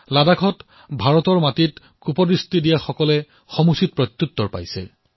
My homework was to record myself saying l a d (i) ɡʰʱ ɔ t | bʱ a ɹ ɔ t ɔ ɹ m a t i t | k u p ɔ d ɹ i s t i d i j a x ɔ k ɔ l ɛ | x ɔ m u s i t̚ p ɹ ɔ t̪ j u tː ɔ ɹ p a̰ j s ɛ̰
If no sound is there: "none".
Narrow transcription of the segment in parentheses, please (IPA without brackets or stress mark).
a